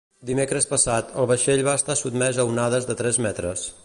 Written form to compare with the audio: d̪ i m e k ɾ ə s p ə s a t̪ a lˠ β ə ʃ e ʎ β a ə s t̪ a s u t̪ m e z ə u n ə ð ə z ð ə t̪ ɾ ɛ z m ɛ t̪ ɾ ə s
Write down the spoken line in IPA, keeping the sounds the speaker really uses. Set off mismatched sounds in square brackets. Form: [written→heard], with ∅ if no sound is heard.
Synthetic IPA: d̪ i m e k ɾ ə s p ə s a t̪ [a→ə] lˠ β ə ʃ e ʎ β a ə s t̪ a s u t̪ m [e→ɛ] z ə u n [ə→a] ð ə z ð ə t̪ ɾ ɛ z m ɛ t̪ ɾ ə s